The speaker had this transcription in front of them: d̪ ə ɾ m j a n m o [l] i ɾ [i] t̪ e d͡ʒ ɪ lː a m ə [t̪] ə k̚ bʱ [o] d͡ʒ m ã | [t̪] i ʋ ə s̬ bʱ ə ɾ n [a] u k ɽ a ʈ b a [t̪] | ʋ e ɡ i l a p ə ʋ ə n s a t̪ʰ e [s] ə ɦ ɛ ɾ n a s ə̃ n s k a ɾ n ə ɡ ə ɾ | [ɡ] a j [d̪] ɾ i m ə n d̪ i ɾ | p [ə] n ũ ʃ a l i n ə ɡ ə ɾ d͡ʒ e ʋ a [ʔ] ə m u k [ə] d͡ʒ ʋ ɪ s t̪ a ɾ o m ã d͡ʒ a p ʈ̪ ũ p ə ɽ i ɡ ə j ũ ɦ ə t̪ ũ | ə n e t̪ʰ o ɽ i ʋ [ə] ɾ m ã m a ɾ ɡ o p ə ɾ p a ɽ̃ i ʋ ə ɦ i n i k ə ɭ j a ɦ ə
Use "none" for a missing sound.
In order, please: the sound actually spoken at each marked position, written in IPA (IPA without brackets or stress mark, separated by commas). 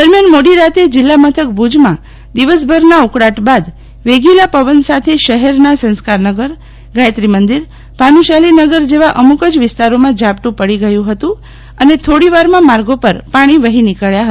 ɽ, a, t̪ʰ, u, d̪, a, d̪, ʃ, ɡ, t̪, a, ʔ, ə, a